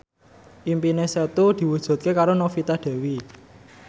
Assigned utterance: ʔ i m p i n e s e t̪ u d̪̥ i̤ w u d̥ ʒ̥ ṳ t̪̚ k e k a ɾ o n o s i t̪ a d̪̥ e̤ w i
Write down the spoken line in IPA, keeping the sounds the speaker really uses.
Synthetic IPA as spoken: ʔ i m p i n e s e t̪ u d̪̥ i̤ w u d̥ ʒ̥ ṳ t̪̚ k e k a ɾ o n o f i t̪ a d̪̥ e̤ w i